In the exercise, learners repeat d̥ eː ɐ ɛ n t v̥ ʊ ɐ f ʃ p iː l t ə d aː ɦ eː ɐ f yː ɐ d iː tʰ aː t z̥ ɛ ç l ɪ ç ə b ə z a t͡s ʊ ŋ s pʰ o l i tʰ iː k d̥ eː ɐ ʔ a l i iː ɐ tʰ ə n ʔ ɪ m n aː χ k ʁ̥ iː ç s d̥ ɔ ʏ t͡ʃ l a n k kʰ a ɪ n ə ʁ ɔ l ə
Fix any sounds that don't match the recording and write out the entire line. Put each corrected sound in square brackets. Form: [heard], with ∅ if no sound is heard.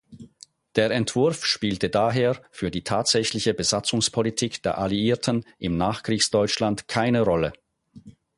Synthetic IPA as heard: d̥ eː ɐ ɛ n t v̥ ʊ ɐ f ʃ p iː l t ə d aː ɦ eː ɐ f yː ɐ d iː tʰ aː t z̥ ɛ ç l ɪ ç ə b ə z a t͡s ʊ ŋ s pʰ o l i tʰ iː k d̥ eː ɐ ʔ a l i iː ɐ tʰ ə n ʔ ɪ m n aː χ k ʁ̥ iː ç s d̥ ɔ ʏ t͡ʃ l a n [t] kʰ a ɪ n ə ʁ ɔ l ə